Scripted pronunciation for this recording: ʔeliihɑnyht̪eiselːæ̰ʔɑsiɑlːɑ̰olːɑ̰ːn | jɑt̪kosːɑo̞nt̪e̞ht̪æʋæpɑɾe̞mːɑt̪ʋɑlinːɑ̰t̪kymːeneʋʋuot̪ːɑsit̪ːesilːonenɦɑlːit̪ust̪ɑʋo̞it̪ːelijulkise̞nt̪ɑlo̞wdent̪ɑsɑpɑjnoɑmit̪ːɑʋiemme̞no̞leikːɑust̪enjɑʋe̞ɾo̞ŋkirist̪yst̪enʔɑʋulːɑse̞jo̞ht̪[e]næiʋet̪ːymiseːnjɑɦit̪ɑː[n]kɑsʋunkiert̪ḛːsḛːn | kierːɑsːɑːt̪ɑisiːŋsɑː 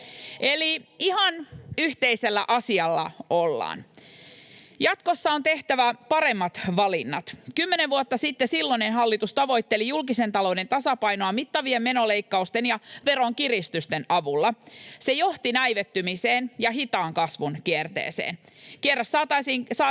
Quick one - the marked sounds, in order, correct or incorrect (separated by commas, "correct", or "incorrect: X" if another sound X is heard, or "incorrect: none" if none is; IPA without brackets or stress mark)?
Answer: incorrect: i, incorrect: ŋ